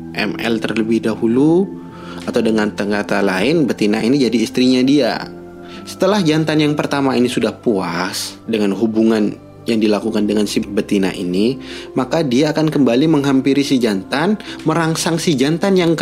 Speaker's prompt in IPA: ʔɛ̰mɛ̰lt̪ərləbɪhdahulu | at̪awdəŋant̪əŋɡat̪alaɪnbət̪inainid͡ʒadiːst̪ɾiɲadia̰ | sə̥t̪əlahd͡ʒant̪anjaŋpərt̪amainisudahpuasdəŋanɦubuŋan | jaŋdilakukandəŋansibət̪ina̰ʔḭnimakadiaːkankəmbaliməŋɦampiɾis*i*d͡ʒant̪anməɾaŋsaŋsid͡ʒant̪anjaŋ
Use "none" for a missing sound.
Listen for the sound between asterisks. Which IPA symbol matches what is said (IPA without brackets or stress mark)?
i